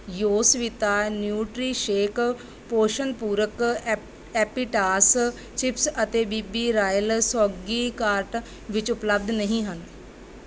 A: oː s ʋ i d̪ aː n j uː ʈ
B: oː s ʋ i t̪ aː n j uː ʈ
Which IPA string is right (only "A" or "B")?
B